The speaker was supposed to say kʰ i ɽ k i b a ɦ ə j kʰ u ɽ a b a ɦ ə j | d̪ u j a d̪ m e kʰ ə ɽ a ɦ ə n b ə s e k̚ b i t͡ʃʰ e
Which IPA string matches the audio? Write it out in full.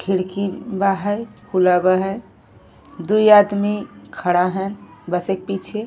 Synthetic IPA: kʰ i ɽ k i b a ɦ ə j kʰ u l a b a ɦ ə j | d̪ u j a d̪ m i kʰ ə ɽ a ɦ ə n b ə s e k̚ p i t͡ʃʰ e